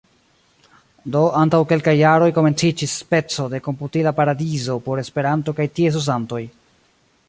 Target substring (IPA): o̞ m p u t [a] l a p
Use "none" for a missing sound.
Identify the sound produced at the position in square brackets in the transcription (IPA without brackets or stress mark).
i